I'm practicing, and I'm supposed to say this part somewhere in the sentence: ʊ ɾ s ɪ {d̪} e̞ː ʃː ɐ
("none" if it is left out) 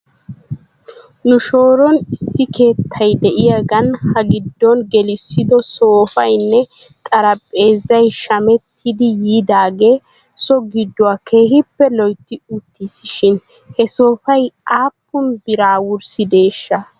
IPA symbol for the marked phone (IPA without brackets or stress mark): d̪